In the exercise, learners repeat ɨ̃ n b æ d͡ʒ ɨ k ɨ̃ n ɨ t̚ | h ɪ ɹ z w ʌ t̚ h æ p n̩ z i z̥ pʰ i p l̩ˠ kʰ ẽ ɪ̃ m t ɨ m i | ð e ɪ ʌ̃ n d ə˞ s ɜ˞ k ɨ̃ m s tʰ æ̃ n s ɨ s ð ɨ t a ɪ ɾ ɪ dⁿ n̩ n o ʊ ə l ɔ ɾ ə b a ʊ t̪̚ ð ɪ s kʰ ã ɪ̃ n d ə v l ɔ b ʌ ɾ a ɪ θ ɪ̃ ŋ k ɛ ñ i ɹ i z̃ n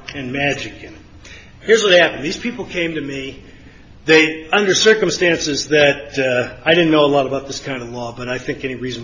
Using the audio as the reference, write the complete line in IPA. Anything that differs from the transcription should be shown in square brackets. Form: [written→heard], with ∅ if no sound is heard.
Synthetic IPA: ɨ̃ n [b→m] æ d͡ʒ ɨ k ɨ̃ n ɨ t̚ | h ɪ ɹ z w ʌ t̚ h æ p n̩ [z→ð] i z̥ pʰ i p l̩ˠ kʰ ẽ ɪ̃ m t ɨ m i | ð e ɪ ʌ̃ n d ə˞ s ɜ˞ k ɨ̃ m s [tʰ→t] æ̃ n s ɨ [s→z] ð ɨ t a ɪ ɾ ɪ dⁿ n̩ n o ʊ ə l ɔ ɾ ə b a ʊ t̪̚ ð ɪ s kʰ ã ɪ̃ n d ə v l ɔ b ʌ ɾ a ɪ θ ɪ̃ ŋ k ɛ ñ i ɹ i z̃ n